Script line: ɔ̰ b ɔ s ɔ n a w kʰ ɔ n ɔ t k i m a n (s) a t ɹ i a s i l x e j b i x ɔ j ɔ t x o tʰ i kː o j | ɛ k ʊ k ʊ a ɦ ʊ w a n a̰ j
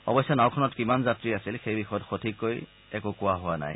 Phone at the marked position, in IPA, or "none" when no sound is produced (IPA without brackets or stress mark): z